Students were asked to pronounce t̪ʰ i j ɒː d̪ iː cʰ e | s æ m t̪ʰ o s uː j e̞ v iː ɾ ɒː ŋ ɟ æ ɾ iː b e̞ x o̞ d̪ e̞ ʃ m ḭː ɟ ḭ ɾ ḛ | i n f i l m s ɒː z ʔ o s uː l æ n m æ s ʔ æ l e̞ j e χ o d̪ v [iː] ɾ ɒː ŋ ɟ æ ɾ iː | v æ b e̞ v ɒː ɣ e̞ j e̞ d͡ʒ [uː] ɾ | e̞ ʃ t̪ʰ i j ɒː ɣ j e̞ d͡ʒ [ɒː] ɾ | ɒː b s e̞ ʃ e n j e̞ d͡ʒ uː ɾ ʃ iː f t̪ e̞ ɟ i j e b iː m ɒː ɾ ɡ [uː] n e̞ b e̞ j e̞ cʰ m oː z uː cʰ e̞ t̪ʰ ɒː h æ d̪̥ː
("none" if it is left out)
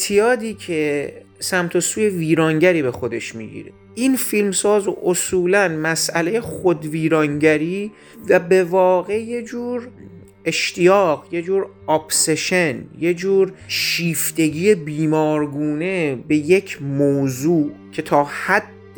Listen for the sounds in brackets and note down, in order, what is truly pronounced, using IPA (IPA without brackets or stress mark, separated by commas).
iː, uː, uː, uː